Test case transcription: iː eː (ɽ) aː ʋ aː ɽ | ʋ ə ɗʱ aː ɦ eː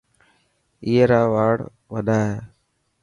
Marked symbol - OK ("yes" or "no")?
no